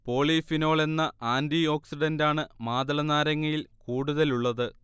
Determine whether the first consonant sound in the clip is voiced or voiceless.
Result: voiceless